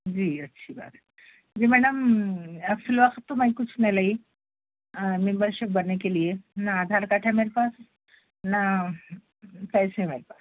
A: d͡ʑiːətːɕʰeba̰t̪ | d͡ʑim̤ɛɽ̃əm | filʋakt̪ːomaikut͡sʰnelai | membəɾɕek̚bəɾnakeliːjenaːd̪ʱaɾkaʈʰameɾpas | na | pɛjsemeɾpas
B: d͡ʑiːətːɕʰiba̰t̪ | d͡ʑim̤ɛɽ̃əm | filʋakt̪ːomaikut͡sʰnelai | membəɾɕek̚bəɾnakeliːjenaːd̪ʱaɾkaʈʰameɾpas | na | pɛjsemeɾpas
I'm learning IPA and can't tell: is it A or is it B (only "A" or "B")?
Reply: B